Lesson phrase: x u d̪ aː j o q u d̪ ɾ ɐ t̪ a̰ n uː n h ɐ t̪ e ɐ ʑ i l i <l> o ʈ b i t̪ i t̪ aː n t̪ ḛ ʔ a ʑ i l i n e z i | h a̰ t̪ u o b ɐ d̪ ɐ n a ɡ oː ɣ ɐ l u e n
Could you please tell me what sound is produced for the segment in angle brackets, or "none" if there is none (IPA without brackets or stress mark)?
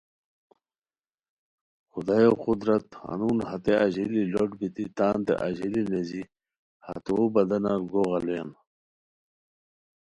l